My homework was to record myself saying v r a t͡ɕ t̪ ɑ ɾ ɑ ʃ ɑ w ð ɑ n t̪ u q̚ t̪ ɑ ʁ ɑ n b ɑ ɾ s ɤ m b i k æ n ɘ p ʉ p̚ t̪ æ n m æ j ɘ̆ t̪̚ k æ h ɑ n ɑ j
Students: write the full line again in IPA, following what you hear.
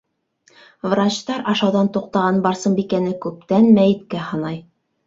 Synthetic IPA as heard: v r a t͡ɕ t̪ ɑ ɾ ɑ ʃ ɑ w ð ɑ n t̪ u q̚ t̪ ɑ ʁ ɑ n b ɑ ɾ s ɤ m b i k æ n ɘ k ʉ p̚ t̪ æ n m æ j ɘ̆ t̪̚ k æ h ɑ n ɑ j